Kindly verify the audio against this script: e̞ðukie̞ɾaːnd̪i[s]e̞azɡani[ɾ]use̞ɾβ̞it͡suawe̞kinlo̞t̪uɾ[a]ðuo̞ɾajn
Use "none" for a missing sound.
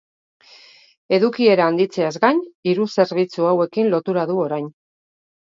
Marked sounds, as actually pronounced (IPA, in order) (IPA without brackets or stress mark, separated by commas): t͡s, ɾ, a